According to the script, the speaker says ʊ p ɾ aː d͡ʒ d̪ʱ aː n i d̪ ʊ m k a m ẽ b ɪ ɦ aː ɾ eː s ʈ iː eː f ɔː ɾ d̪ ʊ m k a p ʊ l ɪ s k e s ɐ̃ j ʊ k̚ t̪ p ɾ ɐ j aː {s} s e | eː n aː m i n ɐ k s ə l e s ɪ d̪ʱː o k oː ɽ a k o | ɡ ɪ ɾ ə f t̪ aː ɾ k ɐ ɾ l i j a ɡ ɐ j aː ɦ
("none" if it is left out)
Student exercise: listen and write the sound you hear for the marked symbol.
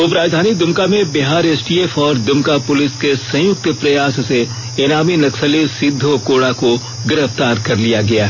s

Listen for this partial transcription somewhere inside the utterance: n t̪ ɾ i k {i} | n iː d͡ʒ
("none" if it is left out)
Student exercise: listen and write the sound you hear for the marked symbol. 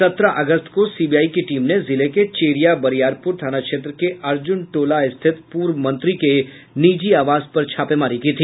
e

